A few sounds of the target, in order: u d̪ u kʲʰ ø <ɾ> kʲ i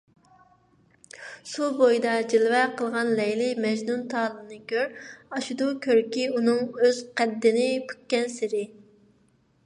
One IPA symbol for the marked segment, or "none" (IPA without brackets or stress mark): ɾ